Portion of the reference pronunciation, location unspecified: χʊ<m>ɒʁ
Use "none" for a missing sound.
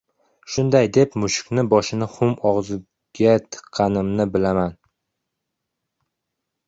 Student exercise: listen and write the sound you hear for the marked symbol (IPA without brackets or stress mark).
m